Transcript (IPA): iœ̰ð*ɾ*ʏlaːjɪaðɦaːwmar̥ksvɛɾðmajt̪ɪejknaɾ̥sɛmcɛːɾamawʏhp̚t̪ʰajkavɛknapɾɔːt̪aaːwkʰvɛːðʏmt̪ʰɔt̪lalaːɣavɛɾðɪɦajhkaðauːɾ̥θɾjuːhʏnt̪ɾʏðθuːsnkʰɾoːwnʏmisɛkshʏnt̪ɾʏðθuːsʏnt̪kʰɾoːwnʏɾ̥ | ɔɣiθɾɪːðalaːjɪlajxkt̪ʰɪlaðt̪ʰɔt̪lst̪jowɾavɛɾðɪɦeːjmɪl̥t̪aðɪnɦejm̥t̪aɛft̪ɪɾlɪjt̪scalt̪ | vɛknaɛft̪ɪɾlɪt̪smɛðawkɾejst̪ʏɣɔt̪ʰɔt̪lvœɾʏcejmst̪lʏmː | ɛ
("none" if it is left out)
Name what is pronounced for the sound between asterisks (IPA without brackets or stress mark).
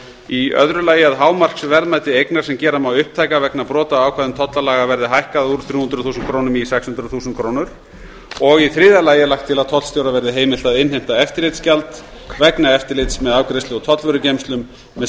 ɾ